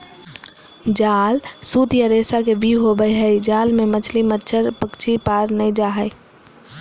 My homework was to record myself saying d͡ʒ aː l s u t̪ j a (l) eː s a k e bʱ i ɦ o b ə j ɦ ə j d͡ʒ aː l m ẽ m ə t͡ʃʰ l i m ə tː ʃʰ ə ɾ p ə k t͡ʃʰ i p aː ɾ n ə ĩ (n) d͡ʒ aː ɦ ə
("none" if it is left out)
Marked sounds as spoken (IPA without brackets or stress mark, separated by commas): ɾ, none